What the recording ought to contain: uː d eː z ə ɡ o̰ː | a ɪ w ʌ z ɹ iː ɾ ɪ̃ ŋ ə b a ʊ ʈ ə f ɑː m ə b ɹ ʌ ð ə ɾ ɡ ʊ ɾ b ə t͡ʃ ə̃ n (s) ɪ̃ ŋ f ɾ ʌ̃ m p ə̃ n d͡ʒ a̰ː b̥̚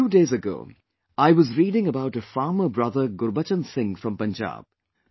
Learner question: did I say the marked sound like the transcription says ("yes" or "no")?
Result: yes